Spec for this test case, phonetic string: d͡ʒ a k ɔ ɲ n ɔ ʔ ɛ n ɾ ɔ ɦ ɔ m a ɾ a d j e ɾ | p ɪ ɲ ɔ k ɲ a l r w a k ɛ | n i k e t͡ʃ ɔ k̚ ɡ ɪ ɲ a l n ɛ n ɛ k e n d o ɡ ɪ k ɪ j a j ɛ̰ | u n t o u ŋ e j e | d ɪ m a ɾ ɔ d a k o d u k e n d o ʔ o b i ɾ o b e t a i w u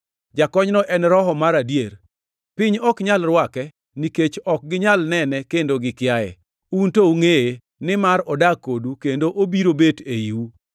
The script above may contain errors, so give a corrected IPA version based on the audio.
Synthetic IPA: d͡ʒ a k ɔ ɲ n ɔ ʔ ɛ n ɾ ɔ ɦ ɔ m a ɾ a d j e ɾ | p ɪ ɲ ɔ k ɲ a l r w a k ɛ | n i k e t͡ʃ ɔ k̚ ɡ ɪ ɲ a l n ɛ n ɛ k e n d o ɡ ɪ k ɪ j a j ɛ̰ | u n t o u ŋ e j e | n ɪ m a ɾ ɔ d a k o d u k e n d o ʔ o b i ɾ o b e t e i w u

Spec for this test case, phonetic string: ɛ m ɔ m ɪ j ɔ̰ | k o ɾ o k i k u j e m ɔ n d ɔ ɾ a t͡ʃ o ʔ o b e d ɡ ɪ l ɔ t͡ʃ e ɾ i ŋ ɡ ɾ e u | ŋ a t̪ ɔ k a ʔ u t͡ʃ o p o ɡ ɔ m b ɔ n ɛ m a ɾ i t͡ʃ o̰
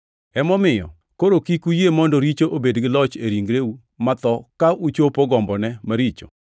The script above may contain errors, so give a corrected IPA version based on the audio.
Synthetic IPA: ɛ m ɔ m ɪ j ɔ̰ | k o ɾ o k i k u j e m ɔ n d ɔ ɾ i t͡ʃ o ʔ o b e d ɡ ɪ l ɔ t͡ʃ e ɾ i ŋ ɡ ɾ e u | m a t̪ ɔ k a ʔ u t͡ʃ o p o ɡ ɔ m b ɔ n ɛ m a ɾ i t͡ʃ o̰

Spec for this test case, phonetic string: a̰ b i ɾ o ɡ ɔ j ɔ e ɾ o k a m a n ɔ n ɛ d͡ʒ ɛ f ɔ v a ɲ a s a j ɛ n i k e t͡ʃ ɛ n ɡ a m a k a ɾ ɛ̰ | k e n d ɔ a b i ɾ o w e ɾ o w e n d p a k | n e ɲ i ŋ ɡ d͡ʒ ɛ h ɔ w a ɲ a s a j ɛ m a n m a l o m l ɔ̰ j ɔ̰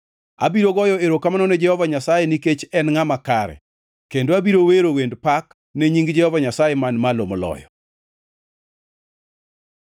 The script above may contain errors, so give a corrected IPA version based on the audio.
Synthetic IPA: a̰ b i ɾ o ɡ ɔ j ɔ e ɾ o k a m a n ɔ n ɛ d͡ʒ ɛ h ɔ v a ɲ a s a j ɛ n i k e t͡ʃ ɛ n ŋ a m a k a ɾ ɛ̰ | k e n d o a b i ɾ o w e ɾ o w e n d p a k | n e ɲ i ŋ ɡ d͡ʒ ɛ h ɔ v a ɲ a s a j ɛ m a n m a l o m l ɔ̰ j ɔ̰

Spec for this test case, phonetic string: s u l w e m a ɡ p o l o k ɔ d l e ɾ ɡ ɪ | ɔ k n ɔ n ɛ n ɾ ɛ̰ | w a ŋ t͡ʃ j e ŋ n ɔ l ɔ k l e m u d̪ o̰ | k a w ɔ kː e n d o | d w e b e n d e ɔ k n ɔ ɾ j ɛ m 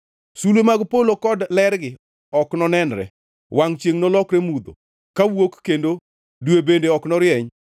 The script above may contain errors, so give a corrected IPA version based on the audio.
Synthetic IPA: s u l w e m a ɡ p o l o k ɔ d l ɛ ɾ ɡ ɪ | ɔ k n ɔ n ɛ n ɾ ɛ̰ | w a ŋ t͡ʃ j e ŋ n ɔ l ɔ k ɾ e m u d̪ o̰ | k a w o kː e n d o | d w e b e n d e ɔ k n ɔ ɾ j ɛ ɲ

